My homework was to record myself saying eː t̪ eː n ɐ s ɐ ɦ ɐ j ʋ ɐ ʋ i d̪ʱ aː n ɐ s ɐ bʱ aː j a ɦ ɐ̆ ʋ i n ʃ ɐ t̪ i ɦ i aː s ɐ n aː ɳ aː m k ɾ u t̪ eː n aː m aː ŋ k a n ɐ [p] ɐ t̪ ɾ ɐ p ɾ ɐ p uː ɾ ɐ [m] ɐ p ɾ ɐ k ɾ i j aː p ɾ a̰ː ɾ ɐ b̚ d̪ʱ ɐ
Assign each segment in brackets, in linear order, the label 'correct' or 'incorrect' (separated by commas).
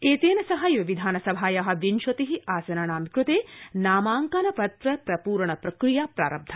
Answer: correct, incorrect